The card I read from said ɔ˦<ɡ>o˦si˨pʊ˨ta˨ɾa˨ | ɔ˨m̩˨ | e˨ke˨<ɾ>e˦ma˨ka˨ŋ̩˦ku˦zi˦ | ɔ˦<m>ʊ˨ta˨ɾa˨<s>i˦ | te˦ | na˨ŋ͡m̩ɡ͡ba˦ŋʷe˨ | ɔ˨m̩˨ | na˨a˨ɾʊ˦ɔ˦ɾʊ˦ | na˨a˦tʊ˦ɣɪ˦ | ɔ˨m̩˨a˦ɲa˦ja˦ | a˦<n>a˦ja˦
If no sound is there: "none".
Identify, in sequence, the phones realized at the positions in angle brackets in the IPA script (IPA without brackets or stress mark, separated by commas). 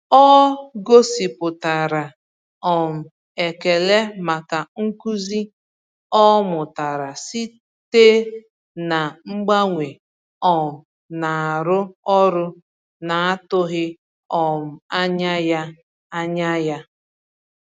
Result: ɡ, l, m, s, ɲ